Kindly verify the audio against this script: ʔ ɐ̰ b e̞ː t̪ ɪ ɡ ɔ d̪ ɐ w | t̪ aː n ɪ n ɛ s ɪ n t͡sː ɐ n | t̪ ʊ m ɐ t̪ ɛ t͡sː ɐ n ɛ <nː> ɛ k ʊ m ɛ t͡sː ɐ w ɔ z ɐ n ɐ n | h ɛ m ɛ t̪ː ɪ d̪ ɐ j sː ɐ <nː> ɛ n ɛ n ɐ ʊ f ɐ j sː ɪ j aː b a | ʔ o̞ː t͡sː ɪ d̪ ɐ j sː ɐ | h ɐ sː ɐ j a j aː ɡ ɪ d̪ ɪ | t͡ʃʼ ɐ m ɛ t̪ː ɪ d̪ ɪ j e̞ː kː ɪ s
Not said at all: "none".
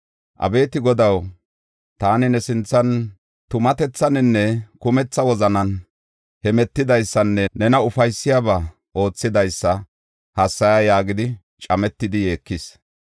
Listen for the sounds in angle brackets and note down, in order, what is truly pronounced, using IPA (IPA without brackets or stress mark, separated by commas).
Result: nː, nː